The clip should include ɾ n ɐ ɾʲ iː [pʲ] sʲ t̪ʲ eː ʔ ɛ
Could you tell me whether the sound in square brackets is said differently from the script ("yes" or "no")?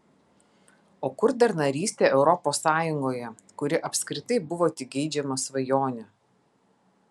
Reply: yes